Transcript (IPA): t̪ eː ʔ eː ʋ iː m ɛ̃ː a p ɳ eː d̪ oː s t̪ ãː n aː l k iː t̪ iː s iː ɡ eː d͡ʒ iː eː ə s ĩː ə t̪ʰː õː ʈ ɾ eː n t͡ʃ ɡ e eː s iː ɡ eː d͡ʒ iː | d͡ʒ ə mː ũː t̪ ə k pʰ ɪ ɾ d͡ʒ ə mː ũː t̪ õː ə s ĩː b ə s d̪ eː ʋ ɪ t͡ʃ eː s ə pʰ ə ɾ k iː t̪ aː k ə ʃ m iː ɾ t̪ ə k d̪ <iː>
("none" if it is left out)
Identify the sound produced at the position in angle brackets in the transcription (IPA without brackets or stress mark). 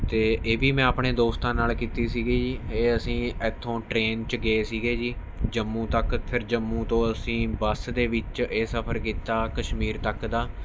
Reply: aː